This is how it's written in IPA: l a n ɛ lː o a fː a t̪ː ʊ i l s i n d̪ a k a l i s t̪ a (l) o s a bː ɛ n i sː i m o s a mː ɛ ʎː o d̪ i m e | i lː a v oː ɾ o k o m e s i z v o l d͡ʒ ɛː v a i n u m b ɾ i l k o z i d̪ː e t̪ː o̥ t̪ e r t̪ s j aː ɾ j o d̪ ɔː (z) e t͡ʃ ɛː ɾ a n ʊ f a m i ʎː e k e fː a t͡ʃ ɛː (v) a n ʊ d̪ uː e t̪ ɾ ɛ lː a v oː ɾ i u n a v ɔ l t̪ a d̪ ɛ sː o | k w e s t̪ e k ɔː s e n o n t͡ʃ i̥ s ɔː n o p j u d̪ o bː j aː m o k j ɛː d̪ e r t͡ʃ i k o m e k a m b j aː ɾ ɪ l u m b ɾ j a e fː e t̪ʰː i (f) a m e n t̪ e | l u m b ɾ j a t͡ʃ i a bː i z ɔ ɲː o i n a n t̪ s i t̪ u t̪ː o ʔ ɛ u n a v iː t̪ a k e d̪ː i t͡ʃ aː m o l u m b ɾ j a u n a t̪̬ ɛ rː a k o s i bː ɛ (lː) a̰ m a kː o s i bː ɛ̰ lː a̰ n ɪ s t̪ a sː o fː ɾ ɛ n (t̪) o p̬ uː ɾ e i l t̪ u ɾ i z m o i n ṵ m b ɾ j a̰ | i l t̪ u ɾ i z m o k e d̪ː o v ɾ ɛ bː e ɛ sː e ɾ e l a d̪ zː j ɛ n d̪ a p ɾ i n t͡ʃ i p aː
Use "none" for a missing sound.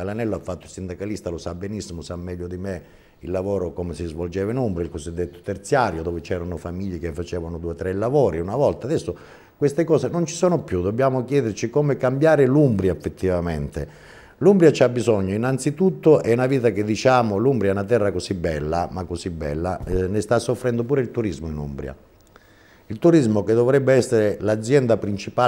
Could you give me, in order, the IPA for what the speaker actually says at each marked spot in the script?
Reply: l, v, v, v, lː, d̪

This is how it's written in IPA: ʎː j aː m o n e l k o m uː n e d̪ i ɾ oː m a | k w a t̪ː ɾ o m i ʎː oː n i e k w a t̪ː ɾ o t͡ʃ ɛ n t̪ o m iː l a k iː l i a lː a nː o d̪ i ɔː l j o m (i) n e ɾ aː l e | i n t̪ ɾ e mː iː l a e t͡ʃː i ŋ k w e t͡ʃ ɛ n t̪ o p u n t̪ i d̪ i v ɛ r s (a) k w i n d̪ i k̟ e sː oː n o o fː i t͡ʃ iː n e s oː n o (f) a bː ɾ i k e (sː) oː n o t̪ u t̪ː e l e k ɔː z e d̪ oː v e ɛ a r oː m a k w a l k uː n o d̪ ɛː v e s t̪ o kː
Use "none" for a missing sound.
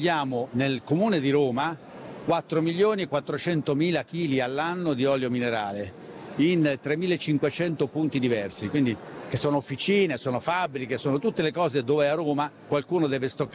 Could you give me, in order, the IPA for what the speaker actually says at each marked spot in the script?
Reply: i, i, f, s

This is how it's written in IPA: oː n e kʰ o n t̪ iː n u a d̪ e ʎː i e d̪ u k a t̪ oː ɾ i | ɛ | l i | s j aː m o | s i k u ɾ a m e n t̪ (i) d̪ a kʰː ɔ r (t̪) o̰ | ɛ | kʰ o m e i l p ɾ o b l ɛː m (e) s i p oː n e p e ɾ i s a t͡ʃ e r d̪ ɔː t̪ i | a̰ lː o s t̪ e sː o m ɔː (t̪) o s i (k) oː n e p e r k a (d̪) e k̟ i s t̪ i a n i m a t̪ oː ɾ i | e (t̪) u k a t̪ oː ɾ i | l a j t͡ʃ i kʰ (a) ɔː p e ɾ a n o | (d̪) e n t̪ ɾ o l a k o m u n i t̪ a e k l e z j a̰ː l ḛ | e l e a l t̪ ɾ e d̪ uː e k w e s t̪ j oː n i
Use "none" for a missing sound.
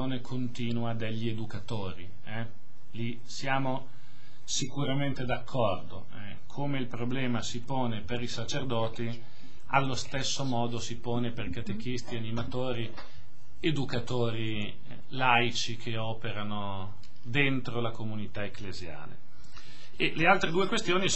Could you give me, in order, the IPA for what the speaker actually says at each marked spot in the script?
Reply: e, d̪, a, d̪, p, t̪, d̪, e, d̪

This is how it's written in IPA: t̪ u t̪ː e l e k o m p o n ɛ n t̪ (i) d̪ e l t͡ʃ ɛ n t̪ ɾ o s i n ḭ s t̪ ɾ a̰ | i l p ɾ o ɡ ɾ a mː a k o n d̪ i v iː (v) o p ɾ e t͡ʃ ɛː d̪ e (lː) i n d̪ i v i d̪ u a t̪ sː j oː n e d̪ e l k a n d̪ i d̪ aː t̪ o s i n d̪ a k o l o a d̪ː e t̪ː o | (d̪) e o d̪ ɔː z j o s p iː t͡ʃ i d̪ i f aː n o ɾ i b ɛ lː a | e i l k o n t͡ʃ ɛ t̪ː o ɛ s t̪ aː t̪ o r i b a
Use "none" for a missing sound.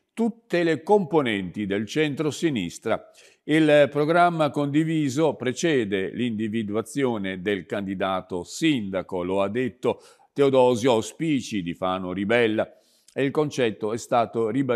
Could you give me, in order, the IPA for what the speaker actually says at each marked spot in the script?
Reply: i, z, l, t̪

